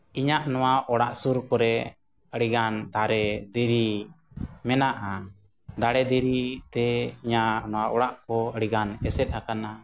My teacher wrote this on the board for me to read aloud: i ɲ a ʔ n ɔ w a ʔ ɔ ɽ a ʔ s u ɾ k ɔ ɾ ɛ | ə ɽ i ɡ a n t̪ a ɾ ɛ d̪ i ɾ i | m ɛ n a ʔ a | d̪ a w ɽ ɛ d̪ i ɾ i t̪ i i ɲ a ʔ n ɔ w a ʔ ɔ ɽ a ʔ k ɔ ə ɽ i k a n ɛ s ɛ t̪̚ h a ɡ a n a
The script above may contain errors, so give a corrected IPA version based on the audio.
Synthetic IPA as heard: i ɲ a ʔ n ɔ w a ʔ ɔ ɽ a ʔ s u ɾ k ɔ ɾ ɛ | ə ɽ i ɡ a n d̪ a ɾ ɛ d̪ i ɾ i | m ɛ n a ʔ a | d̪ a ɽ ɛ d̪ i ɾ i t̪ ɛ i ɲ a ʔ n ɔ w a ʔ ɔ ɽ a ʔ k ɔ ə ɽ i ɡ a n ɛ s ɛ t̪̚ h a k a n a